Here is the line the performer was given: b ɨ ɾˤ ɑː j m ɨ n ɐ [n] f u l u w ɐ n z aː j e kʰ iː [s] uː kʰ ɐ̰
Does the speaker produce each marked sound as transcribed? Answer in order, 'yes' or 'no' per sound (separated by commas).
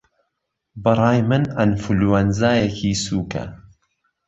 yes, yes